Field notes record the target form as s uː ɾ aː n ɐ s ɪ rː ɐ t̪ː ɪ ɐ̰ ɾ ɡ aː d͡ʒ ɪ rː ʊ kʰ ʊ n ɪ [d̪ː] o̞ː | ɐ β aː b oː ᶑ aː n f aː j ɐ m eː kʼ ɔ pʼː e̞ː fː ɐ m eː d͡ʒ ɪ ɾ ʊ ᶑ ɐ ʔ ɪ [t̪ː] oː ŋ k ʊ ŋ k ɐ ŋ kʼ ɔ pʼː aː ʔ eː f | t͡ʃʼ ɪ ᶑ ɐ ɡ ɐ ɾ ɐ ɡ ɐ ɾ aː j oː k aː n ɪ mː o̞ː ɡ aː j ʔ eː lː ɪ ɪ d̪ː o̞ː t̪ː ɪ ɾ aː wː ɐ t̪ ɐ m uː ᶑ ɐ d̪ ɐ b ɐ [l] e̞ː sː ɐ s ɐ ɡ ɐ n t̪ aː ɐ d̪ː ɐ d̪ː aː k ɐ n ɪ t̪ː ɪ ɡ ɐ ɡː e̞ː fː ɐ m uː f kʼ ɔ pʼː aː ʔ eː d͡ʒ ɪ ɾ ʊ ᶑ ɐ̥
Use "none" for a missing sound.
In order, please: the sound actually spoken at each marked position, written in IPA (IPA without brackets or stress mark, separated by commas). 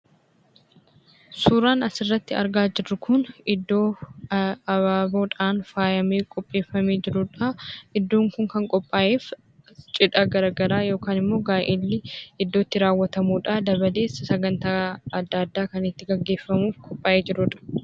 d̪ː, d̪ː, l